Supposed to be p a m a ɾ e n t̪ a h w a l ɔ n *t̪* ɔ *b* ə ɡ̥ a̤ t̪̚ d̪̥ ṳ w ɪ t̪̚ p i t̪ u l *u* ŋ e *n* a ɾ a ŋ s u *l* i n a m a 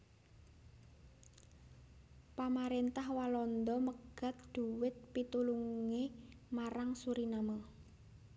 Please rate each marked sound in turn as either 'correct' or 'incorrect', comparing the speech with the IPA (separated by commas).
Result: incorrect, incorrect, correct, incorrect, incorrect